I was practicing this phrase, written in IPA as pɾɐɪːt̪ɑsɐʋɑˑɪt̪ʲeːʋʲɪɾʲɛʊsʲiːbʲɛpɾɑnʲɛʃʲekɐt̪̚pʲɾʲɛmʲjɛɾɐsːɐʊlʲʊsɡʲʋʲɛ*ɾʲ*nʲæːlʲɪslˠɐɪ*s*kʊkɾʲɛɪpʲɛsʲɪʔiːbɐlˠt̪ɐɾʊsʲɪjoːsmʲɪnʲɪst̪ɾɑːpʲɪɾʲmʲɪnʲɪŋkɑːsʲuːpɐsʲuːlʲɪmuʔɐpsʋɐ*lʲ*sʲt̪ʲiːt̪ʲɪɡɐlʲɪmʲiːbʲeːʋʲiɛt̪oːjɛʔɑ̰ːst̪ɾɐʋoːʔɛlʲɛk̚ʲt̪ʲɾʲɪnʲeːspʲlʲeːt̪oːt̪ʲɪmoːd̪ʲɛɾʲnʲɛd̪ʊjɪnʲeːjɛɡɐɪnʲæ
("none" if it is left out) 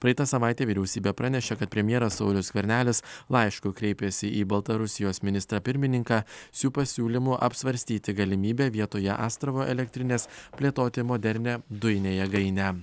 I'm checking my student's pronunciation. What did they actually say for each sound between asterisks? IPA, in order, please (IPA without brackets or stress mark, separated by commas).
ɾʲ, ʃ, ɾʲ